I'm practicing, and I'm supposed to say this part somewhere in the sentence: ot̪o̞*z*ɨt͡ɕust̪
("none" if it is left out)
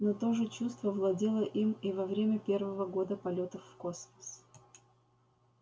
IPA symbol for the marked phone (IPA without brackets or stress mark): ʐ